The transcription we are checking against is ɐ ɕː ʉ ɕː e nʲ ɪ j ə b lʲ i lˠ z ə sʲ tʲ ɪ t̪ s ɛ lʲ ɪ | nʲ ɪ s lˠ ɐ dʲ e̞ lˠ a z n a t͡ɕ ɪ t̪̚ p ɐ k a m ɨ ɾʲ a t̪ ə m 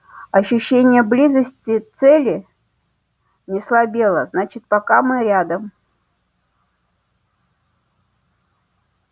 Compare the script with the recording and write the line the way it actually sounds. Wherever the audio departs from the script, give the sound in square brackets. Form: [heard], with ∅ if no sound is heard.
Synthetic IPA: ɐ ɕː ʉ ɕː e nʲ ɪ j ə b lʲ i [∅] z ə sʲ tʲ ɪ t̪ s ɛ lʲ ɪ | nʲ ɪ s lˠ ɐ [bʲ] e̞ lˠ [ə] z n a t͡ɕ ɪ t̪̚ p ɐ k a m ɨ ɾʲ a [d̪] ə m